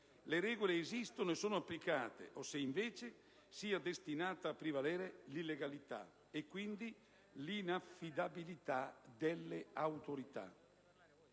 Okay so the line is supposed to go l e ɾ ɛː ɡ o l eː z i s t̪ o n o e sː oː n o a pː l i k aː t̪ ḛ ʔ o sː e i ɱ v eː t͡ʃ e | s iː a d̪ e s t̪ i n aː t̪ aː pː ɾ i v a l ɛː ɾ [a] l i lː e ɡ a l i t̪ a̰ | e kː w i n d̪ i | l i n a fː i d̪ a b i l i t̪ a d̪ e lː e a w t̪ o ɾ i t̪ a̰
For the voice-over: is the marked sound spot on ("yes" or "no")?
no